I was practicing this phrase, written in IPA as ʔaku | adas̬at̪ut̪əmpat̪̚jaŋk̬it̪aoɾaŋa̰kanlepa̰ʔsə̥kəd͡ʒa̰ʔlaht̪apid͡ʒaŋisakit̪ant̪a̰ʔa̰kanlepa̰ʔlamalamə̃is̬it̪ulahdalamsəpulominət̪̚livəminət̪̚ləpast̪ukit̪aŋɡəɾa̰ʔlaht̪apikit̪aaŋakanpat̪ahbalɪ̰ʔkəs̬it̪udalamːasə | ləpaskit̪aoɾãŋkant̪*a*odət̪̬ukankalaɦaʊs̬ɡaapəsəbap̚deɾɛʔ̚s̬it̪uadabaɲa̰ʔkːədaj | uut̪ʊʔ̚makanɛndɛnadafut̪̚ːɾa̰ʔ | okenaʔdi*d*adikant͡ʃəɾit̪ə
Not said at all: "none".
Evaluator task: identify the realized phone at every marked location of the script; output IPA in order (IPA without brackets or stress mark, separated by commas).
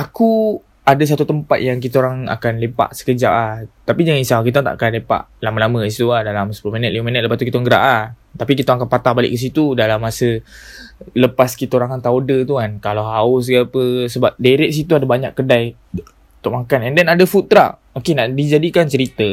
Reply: a, d͡ʒ